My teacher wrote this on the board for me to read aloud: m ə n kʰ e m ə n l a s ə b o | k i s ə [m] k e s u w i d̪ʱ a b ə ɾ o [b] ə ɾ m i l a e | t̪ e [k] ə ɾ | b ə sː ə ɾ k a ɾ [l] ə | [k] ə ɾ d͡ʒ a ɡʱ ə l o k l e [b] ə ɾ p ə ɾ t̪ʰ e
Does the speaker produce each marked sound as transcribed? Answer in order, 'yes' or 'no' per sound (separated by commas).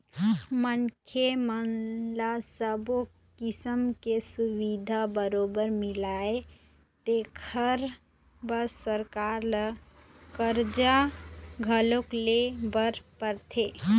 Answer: yes, yes, no, yes, yes, yes